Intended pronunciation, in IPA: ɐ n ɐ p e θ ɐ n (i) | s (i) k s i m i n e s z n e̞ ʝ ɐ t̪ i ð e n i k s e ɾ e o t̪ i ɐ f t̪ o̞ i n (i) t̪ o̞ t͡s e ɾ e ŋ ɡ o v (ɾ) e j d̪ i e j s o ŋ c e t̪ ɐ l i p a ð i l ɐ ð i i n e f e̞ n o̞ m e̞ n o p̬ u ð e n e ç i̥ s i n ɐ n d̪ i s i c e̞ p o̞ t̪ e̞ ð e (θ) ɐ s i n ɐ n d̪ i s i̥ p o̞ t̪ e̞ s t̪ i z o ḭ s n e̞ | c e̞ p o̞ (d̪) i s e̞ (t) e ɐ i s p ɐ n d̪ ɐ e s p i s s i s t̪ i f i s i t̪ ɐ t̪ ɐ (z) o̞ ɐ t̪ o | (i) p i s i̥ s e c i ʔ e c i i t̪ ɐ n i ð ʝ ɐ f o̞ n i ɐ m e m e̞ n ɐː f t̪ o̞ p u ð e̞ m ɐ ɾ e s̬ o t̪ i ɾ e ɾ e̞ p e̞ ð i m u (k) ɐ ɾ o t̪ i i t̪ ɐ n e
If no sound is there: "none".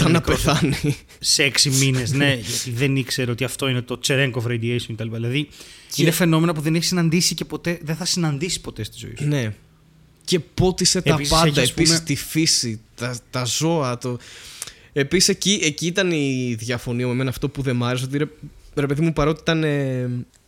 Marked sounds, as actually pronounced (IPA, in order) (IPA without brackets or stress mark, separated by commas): i, e, e, ɾ, θ, t̪, t, z, e, p